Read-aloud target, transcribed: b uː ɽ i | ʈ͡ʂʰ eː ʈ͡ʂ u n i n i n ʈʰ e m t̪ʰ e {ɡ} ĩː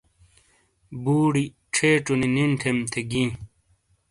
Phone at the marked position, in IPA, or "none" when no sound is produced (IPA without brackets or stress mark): ɡ